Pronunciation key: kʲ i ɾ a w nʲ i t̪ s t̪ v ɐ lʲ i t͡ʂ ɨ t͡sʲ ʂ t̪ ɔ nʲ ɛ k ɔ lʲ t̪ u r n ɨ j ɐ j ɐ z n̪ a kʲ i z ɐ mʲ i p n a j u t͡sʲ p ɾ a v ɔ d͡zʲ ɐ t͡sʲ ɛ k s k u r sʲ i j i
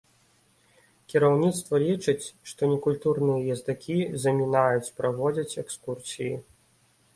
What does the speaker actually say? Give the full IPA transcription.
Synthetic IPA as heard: kʲ i ɾ a w nʲ i t̪ s t̪ v ɐ lʲ i t͡ʂ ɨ t͡sʲ ʂ t̪ ɔ nʲ ɛ k u lʲ t̪ u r n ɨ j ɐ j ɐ z d̪ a kʲ i z ɐ mʲ i n a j u t͡sʲ p ɾ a v ɔ d͡zʲ ɐ t͡sʲ ɛ k s k u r sʲ i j i